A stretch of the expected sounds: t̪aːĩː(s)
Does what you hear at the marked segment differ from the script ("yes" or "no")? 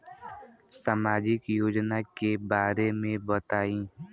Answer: yes